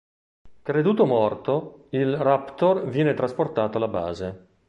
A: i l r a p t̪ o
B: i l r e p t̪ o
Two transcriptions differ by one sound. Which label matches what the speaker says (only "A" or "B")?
A